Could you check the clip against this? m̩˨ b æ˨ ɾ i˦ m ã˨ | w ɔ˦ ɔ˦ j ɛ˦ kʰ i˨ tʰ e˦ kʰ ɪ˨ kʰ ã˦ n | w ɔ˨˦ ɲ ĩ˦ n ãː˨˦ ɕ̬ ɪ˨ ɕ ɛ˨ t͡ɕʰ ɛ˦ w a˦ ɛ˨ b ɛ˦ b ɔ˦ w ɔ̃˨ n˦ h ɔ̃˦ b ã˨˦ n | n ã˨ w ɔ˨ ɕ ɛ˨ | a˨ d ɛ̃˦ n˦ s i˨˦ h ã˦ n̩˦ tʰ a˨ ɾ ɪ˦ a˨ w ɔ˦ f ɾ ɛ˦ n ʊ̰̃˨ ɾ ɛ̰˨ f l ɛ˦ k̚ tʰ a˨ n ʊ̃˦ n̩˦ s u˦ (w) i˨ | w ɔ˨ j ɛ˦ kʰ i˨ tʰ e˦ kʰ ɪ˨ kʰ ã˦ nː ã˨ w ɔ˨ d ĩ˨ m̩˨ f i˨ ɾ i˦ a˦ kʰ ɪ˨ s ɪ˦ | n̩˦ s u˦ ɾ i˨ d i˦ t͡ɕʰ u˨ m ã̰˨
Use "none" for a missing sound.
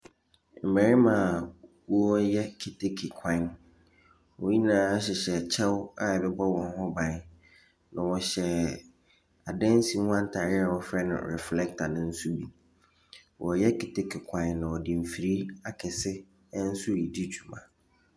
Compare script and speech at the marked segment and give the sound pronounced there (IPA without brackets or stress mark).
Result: b